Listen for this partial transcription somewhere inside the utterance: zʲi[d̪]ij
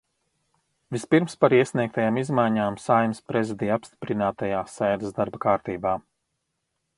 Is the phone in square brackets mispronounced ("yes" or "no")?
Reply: no